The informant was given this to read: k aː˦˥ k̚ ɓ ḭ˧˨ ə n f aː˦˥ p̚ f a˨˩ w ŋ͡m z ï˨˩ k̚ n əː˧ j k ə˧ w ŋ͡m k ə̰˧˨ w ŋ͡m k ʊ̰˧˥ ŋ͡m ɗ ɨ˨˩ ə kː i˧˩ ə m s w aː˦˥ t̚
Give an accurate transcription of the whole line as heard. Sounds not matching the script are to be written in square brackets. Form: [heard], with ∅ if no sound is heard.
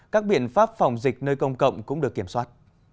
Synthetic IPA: k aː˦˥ k̚ ɓ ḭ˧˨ ə n f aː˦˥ p̚ f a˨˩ w ŋ͡m z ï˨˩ k̚ n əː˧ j k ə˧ w ŋ͡m k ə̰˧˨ w ŋ͡m k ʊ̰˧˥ ŋ͡m ɗ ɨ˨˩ ə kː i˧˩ ə m s w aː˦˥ t̚